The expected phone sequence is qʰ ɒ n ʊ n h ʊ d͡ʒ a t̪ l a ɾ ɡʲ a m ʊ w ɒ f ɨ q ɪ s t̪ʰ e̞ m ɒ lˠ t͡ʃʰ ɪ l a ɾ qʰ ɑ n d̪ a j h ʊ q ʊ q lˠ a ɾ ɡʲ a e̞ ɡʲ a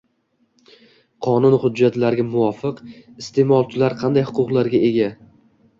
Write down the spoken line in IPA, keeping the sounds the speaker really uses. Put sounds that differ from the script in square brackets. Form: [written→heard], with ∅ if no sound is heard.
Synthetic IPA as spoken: qʰ ɒ n ʊ n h ʊ [d͡ʒ→d͡ʒː] a t̪ l a ɾ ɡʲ a m ʊ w ɒ f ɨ q ɪ s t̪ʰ e̞ m ɒ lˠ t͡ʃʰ ɪ l a ɾ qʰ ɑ n d̪ a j h ʊ q ʊ q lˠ a ɾ ɡʲ a e̞ ɡʲ a

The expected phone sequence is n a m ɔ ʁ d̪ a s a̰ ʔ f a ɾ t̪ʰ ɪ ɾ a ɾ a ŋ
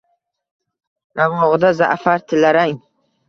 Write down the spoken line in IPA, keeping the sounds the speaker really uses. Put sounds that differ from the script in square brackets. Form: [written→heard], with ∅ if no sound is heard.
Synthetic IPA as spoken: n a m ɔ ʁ d̪ a [s→z] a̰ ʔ f a ɾ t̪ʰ ɪ [ɾ→l] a ɾ a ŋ

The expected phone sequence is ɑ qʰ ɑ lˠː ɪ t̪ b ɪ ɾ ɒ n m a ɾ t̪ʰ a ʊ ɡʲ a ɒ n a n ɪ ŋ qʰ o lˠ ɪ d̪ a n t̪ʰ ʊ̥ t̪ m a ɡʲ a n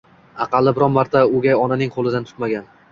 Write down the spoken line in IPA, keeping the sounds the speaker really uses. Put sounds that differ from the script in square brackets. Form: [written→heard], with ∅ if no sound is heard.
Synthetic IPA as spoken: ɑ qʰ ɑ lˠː ɪ [t̪→∅] b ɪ ɾ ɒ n m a ɾ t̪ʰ a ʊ ɡʲ a ɒ n a n ɪ ŋ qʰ o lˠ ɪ d̪ a n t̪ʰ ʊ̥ t̪ m a ɡʲ a n

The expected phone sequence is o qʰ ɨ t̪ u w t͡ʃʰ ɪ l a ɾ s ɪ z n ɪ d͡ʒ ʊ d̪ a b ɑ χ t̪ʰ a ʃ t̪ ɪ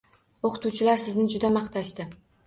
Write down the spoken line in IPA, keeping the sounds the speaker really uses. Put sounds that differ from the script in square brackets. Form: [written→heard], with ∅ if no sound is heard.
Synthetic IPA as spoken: o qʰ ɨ t̪ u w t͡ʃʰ ɪ l a ɾ s ɪ z n ɪ d͡ʒ ʊ d̪ a [b→m] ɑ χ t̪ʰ a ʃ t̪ ɪ

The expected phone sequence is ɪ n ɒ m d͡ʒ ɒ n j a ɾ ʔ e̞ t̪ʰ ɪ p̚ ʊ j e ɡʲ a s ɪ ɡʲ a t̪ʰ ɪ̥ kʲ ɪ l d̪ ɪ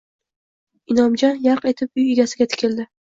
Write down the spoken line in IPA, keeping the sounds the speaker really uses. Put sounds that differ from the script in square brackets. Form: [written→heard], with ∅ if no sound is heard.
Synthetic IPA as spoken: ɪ n ɒ m d͡ʒ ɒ n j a ɾ [ʔ→q] e̞ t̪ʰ ɪ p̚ ʊ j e ɡʲ a s ɪ ɡʲ a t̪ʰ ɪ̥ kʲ ɪ l d̪ ɪ

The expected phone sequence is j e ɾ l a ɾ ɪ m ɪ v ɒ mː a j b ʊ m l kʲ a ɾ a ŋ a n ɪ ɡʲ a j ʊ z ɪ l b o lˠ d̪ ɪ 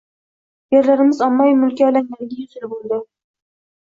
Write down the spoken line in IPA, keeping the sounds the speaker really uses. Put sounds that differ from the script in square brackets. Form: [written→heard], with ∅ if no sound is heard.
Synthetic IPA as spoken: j e ɾ l a ɾ ɪ m ɪ [v→z] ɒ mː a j [b→m] ʊ [m→∅] l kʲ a [ɾ→l] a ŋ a n ɪ ɡʲ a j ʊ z ɪ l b o lˠ d̪ ɪ

